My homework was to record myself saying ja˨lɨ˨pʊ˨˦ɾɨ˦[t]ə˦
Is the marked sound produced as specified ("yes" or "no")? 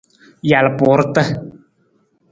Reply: yes